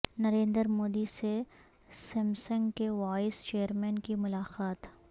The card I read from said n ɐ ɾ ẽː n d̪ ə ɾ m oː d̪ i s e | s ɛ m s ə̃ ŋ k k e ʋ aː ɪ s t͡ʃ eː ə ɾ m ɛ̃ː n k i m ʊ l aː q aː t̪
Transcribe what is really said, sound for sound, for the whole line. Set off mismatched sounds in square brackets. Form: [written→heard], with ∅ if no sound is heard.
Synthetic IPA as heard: n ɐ ɾ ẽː n d̪ ə ɾ m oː d̪ i s e | s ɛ m s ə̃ ŋ [k→ɡ] k e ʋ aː ɪ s t͡ʃ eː ə ɾ m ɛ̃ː n k i m ʊ l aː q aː t̪